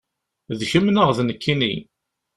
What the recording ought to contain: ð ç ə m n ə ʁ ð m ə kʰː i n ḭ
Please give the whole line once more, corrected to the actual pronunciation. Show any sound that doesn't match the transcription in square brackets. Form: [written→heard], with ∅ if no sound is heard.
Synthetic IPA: ð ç ə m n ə ʁ ð [m→n] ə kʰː i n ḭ